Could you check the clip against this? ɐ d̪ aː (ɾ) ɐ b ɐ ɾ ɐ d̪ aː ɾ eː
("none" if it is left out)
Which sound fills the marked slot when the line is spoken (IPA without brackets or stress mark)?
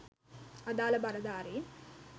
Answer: l